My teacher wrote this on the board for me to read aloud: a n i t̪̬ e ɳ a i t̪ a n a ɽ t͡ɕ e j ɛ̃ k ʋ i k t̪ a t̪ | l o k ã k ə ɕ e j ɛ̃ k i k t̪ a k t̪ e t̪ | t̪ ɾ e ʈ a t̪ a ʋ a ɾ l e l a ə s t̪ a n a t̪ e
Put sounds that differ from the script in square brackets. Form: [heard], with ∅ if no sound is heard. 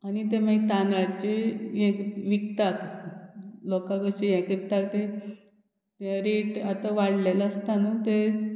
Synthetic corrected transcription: a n i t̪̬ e [m] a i t̪ a n a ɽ t͡ɕ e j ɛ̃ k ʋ i k t̪ a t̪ | l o k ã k ə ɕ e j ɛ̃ k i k t̪ a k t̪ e [∅] | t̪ ɾ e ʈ a t̪ a ʋ a [ɽ] l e l a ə s t̪ a n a t̪ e